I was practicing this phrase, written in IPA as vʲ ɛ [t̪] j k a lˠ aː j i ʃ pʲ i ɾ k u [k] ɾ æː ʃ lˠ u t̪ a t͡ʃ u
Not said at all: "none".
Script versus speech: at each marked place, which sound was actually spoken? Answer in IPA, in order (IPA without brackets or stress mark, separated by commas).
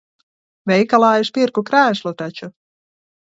none, k